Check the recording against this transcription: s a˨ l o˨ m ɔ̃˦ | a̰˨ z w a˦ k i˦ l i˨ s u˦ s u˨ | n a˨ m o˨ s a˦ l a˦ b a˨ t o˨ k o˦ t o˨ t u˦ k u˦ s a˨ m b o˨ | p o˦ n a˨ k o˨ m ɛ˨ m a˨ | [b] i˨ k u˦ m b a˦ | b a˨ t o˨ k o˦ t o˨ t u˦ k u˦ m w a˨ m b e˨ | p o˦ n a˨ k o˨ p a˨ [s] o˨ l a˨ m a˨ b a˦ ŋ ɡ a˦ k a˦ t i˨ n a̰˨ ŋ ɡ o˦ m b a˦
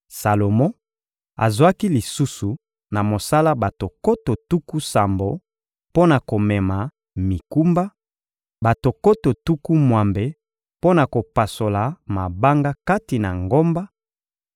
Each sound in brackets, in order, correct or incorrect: incorrect, correct

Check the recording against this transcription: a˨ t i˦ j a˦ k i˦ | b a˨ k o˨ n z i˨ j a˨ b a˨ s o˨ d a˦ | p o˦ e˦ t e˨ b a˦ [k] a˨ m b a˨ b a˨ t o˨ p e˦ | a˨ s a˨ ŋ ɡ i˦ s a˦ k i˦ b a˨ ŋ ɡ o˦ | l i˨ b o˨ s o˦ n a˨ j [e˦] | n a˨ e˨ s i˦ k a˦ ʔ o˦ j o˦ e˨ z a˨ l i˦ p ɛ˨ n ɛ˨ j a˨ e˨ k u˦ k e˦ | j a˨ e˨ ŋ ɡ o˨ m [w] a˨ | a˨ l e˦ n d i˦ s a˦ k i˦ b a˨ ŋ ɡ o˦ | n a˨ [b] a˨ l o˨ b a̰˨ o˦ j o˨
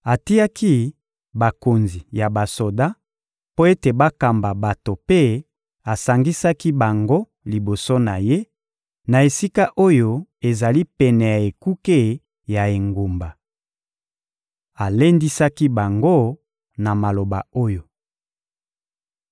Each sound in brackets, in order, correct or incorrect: correct, correct, incorrect, incorrect

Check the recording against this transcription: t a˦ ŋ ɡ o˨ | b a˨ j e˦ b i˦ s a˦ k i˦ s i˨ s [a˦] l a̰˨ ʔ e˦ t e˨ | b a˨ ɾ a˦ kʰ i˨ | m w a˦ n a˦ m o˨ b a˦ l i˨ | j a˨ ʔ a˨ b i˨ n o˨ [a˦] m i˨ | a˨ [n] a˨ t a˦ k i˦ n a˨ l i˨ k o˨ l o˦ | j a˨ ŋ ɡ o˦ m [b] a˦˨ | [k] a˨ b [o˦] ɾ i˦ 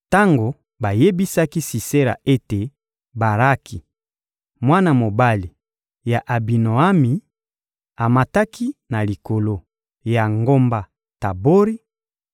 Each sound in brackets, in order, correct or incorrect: incorrect, correct, incorrect, correct, incorrect, correct

